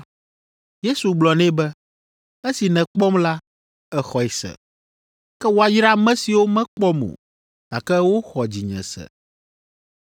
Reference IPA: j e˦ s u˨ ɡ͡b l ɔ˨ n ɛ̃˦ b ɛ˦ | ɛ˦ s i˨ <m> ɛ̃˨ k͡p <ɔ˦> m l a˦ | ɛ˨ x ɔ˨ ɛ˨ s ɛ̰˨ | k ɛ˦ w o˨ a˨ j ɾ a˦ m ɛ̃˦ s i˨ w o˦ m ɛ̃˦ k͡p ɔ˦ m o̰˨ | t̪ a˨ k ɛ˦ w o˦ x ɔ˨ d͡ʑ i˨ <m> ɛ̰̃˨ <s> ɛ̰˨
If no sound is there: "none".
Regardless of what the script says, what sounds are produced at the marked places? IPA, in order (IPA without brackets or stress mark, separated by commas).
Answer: n, ɔ˦, ɲ, s